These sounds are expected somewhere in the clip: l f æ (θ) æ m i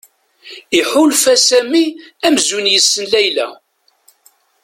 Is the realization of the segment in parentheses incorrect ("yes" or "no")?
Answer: yes